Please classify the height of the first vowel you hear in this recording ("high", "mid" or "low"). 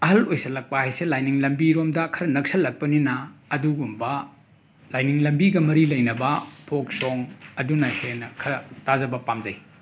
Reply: low